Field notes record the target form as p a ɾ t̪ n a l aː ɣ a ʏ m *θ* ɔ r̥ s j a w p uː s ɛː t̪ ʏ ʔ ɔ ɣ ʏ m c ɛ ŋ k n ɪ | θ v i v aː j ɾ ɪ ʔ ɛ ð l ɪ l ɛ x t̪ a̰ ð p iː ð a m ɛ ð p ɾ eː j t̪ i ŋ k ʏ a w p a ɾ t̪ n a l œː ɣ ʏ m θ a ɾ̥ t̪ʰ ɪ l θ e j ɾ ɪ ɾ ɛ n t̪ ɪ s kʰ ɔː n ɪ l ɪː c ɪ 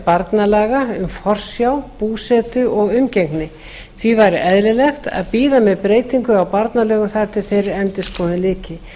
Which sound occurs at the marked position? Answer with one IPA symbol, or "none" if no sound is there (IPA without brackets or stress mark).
f